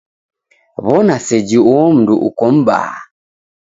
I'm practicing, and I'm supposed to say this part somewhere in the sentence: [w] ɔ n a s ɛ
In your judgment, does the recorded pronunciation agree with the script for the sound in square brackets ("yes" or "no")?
no